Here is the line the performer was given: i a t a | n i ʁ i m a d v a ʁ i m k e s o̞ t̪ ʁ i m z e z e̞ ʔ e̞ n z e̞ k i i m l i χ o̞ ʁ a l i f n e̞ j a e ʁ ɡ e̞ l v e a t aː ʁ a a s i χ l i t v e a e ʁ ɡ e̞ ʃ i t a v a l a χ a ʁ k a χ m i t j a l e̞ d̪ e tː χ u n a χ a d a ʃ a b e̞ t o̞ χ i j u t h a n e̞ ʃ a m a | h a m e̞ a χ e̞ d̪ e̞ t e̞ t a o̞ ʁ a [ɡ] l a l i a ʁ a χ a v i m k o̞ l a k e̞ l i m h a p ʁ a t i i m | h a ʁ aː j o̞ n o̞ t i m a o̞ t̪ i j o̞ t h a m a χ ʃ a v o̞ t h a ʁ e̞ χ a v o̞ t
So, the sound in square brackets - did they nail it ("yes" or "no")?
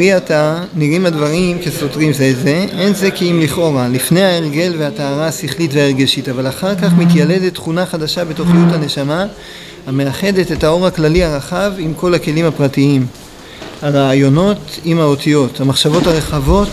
no